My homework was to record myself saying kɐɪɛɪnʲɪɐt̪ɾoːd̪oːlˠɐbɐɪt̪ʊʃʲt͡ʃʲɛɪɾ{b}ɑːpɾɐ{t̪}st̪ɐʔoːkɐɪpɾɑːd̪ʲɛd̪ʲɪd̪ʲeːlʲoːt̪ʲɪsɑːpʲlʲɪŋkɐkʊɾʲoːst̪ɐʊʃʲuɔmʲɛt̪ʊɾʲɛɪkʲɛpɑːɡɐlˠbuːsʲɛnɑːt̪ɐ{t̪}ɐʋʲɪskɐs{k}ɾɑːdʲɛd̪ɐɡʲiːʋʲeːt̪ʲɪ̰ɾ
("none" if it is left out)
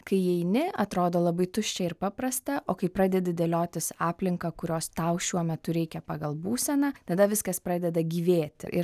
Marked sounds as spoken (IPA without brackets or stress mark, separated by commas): p, none, d̪, p